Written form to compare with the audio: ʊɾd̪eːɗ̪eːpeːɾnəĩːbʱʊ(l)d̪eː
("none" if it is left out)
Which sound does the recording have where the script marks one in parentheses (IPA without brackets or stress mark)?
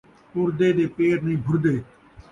ɾ